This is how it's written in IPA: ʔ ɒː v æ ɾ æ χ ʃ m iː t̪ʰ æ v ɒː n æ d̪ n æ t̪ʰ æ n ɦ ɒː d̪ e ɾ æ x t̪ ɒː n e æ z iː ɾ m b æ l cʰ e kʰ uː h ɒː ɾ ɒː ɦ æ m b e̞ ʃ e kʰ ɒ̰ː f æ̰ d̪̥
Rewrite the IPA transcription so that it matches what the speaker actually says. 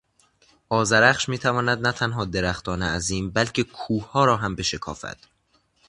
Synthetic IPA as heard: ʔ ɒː z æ ɾ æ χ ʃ m iː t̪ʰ æ v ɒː n æ d̪ n æ t̪ʰ æ n ɦ ɒː d̪ e ɾ æ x t̪ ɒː n e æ z iː m b æ l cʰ e kʰ uː h ɒː ɾ ɒː ɦ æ m b e̞ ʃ e kʰ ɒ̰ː f æ̰ d̪̥